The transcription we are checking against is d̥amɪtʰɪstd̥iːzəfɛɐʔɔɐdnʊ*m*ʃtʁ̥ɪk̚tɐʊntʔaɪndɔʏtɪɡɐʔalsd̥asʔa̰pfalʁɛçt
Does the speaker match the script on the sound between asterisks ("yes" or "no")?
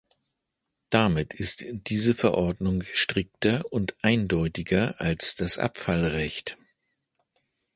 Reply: no